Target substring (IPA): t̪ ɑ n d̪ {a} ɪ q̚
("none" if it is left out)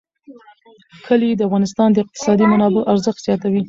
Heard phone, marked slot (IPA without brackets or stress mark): ə